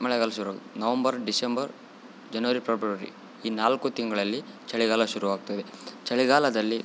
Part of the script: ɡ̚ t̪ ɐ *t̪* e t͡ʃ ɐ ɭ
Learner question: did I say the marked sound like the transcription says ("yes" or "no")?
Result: no